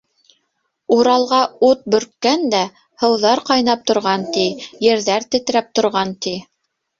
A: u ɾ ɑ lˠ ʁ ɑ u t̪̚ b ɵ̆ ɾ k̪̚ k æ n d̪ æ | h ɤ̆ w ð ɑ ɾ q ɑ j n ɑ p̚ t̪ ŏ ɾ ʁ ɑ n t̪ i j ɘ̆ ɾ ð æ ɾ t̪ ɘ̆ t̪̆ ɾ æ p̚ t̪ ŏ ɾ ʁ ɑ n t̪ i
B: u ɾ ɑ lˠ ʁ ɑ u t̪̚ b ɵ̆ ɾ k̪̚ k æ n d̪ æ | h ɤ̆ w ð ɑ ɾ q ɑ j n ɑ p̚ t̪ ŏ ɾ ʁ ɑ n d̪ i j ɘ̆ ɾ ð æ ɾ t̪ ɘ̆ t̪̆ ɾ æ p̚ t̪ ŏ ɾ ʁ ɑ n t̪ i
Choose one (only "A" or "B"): A